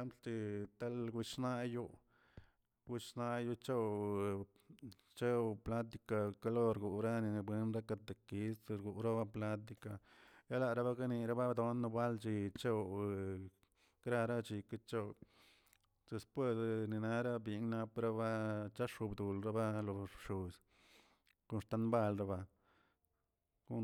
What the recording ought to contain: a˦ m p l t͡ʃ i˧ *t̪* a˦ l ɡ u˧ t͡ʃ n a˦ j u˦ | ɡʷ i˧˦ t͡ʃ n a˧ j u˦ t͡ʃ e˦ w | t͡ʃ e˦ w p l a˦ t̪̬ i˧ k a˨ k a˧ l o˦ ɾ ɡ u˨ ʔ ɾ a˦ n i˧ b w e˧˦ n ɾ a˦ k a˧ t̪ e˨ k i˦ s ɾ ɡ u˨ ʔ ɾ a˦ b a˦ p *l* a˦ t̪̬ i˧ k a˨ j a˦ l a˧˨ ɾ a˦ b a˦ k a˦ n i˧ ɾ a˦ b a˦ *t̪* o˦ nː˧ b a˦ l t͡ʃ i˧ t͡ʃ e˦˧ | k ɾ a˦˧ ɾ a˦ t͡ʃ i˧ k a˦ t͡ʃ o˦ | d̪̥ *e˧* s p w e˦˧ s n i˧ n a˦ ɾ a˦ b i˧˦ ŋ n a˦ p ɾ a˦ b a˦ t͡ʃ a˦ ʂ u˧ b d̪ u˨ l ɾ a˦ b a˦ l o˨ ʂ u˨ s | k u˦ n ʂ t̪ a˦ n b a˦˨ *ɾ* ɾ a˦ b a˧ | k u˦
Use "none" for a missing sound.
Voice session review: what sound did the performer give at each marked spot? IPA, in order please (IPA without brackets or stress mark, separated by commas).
t̪, l, d̪, e˧, l